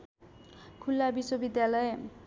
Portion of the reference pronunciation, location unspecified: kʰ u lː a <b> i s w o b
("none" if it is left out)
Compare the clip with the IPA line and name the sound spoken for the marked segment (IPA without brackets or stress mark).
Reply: b